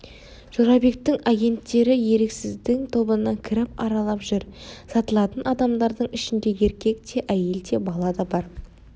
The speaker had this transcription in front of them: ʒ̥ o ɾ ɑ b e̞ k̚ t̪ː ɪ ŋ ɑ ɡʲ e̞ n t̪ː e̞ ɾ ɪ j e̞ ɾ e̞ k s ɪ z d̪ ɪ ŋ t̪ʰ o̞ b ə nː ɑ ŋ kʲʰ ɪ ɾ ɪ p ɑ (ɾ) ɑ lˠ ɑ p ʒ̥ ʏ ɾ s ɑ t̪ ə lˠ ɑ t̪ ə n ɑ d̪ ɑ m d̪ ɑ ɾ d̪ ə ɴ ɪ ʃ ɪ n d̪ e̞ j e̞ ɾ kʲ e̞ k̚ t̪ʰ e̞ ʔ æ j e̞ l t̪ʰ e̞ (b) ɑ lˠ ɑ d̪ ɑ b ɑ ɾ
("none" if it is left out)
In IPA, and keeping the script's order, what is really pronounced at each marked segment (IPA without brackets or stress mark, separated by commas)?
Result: ɾ, b